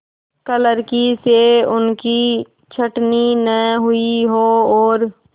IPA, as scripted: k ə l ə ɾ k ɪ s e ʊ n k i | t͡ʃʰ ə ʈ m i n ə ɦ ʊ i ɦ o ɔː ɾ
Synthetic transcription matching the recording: k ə l ə ɾ k i s e ʊ n k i | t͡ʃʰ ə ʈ n i n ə ɦ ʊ i ɦ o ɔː ɾ